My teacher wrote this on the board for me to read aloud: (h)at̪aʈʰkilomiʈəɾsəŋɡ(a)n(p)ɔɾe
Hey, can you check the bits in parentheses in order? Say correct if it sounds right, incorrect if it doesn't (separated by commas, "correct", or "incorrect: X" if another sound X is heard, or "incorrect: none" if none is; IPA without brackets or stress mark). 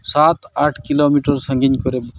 incorrect: s, incorrect: i, incorrect: k